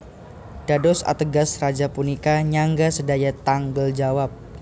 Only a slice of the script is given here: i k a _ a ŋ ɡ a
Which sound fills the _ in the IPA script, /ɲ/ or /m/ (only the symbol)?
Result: ɲ